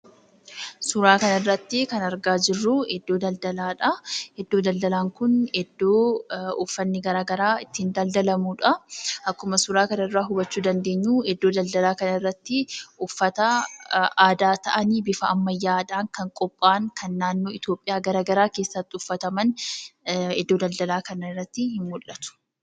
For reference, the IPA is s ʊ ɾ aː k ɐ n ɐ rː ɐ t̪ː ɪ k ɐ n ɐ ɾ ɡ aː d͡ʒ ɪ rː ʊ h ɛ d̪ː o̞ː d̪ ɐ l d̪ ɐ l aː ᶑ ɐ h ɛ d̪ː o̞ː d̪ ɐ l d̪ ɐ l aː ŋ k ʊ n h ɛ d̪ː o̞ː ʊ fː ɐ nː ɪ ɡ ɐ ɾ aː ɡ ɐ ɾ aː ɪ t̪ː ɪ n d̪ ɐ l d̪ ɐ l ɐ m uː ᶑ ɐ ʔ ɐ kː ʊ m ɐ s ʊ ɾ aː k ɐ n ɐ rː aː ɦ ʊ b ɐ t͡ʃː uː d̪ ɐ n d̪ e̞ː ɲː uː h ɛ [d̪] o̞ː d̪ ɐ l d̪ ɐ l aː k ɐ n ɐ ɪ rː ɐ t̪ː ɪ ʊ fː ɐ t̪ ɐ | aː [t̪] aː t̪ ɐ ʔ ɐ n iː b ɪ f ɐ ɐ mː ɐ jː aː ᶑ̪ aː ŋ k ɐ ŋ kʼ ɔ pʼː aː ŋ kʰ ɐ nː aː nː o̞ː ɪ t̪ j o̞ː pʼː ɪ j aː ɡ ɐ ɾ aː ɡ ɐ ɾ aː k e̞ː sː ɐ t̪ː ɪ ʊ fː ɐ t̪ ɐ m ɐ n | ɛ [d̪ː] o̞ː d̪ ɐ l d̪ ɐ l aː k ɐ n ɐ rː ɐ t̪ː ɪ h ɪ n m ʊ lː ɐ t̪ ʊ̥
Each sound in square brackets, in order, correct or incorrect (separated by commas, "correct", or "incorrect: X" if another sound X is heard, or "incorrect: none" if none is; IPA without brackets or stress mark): incorrect: d̪ː, incorrect: d̪, correct